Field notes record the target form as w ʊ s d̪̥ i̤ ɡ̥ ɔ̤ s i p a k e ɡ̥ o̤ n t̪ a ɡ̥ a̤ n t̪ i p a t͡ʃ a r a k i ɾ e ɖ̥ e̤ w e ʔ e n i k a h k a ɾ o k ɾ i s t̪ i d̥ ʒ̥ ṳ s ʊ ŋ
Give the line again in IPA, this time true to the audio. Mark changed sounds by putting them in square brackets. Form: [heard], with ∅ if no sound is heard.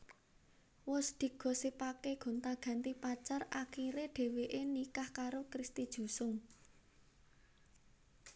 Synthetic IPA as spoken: w ʊ s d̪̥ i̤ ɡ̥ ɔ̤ s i p a k e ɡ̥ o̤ n t̪ a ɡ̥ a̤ n t̪ i p a t͡ʃ a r a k i ɾ e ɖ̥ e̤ w e ʔ e n i k a h k a ɾ o k ɾ i s t̪ i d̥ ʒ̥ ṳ s ʊ ŋ